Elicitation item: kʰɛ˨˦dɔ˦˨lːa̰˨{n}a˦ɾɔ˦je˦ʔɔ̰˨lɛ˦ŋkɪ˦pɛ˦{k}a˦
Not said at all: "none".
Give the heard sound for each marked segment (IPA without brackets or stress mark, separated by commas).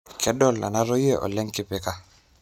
n, k